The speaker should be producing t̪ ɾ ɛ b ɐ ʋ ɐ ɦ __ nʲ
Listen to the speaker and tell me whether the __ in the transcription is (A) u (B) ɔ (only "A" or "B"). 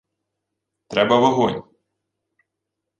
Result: B